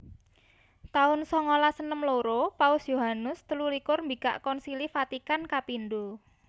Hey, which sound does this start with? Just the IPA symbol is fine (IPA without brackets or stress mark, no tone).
t̪